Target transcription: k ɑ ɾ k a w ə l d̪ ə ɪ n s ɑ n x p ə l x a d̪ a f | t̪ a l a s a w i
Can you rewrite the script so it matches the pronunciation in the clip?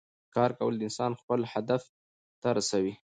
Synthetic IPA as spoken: k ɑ ɾ k a w ə l d̪ ə ɪ n s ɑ n x p ə l h a d̪ a f | t̪ a ɾ a s a w i